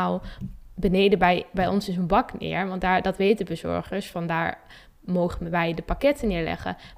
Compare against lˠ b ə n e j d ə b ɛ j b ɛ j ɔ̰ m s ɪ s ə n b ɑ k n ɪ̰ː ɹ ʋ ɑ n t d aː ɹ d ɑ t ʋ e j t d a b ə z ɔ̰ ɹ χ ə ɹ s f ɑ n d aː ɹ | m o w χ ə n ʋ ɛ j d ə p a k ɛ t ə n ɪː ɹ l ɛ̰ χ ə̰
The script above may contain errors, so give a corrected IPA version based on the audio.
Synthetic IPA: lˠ b ə n e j d ə b ɛ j b ɛ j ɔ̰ n s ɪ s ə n b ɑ k n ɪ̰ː ɹ ʋ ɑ n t d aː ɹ d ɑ t ʋ e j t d ə b ə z ɔ̰ ɹ χ ə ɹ s f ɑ n d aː ɹ | m o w χ ə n ʋ ɛ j d ə p a k ɛ t ə n ɪː ɹ l ɛ̰ χ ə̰